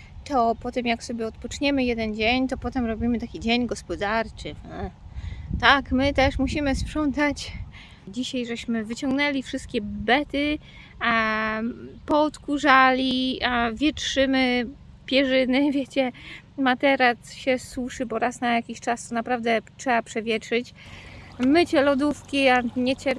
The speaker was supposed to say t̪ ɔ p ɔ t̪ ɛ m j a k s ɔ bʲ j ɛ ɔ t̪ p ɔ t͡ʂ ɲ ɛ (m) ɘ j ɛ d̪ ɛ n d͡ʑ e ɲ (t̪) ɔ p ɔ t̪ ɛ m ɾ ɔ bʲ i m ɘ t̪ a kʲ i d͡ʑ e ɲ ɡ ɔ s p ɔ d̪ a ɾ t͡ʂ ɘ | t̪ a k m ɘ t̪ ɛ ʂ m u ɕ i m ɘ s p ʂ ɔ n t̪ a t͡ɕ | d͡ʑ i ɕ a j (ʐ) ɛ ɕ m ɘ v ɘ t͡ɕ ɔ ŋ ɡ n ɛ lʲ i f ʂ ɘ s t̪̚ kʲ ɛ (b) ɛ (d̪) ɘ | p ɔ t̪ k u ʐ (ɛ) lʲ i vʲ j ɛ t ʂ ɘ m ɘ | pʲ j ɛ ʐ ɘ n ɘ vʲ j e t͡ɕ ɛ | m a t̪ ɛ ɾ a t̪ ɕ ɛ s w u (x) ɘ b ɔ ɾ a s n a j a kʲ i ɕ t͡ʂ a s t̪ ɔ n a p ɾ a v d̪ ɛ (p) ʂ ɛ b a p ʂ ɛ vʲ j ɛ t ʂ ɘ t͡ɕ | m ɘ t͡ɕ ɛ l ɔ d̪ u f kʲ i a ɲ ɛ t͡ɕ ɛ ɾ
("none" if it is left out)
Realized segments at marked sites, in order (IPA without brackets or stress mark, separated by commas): m, t̪, ʐ, b, t̪, a, ʂ, t